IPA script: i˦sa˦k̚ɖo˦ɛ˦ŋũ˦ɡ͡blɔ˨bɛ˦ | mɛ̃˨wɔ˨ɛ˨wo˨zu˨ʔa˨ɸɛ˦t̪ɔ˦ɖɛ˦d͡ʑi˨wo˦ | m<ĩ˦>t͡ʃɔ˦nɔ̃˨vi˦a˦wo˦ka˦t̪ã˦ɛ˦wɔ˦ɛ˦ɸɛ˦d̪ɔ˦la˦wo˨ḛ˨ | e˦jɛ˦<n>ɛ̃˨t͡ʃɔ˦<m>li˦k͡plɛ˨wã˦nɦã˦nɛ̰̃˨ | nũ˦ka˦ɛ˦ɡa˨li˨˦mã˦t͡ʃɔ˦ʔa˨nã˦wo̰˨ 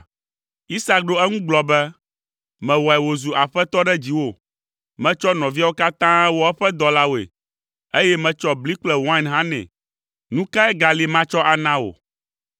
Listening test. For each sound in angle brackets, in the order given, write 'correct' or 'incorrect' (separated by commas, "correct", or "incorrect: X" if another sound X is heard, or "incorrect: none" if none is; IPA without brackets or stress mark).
incorrect: ɛ̃˦, incorrect: m, incorrect: b